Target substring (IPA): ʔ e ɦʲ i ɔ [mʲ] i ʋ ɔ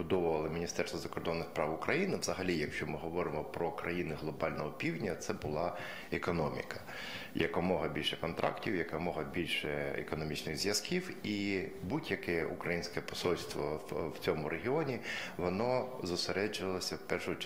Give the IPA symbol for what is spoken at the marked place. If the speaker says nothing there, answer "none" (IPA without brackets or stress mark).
nʲ